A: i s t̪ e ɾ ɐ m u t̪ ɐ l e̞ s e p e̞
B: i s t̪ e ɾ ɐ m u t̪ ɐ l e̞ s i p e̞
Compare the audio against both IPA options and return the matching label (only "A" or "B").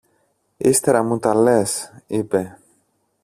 B